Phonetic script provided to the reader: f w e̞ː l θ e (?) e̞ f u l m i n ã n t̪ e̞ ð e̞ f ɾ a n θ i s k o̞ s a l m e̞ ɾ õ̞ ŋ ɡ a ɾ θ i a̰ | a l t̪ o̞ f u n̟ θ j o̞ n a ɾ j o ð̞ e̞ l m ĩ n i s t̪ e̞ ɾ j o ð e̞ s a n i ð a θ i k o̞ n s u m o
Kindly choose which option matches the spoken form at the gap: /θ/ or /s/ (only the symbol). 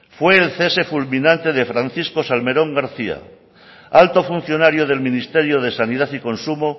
s